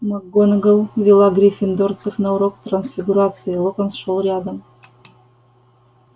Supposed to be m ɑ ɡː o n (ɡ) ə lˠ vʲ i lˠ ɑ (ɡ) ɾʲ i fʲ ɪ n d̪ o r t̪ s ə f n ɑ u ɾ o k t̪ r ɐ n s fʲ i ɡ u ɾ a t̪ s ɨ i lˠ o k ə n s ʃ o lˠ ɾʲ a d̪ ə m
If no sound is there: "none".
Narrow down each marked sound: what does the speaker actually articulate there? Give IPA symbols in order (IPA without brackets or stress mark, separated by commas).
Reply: ɡ, ɡ